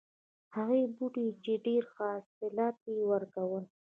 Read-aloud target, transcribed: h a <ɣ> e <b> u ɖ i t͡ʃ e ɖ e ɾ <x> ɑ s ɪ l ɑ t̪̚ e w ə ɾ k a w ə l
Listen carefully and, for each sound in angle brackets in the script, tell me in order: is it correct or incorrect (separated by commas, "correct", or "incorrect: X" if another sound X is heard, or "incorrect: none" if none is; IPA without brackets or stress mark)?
correct, correct, correct